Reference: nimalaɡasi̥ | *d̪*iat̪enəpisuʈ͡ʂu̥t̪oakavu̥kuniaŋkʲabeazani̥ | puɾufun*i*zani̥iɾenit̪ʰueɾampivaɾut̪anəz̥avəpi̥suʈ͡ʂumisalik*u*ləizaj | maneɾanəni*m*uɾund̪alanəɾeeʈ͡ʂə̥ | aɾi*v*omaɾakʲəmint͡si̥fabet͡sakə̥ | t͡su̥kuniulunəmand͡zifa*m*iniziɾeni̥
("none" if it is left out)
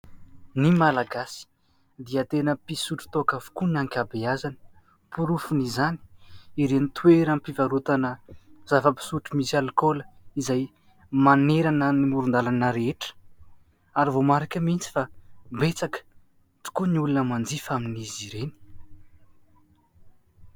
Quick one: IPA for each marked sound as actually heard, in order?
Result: d̪, i, o, m, v, m

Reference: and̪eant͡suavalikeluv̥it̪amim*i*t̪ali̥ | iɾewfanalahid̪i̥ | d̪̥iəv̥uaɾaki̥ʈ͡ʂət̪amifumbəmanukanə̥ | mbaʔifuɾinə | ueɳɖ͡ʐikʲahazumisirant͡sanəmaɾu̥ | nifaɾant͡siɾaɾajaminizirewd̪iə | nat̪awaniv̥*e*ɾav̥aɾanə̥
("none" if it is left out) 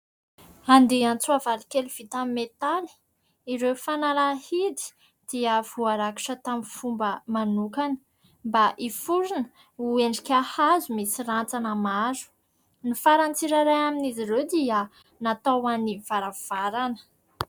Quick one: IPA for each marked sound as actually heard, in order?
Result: e, a

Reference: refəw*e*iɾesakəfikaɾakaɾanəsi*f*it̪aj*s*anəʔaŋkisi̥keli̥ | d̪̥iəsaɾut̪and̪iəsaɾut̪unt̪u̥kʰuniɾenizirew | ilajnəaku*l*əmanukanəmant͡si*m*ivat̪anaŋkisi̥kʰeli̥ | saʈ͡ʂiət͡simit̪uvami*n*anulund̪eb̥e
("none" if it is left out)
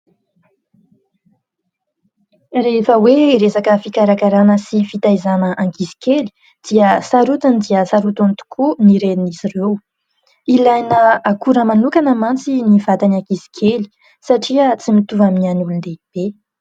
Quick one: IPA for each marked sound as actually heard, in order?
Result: e, f, z, ɾ, n, n

